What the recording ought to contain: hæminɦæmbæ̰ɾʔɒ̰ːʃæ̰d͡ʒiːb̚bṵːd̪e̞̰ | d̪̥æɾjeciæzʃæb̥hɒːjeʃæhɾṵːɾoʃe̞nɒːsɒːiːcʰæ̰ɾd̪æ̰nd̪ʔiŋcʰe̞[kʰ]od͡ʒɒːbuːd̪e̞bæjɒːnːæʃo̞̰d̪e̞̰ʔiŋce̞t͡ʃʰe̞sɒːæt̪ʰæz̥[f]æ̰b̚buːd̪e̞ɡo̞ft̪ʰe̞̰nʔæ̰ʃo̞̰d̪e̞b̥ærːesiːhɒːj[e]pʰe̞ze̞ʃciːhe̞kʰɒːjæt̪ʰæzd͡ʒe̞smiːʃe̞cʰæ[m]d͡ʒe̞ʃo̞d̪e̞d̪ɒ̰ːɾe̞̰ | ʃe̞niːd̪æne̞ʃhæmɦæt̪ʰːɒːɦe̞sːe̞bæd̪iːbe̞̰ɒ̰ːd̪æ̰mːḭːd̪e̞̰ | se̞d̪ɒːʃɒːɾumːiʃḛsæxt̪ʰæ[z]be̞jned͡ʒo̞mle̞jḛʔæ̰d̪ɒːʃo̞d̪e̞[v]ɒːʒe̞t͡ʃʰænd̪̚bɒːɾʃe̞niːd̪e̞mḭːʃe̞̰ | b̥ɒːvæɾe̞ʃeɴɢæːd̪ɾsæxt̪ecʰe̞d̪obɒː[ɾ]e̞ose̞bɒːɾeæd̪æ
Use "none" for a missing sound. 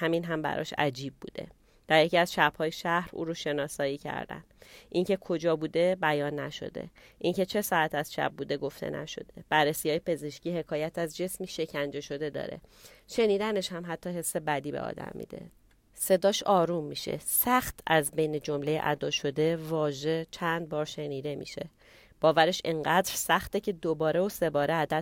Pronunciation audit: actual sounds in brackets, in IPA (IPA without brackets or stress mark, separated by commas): kʰ, ʃ, e, n, z, v, ɾ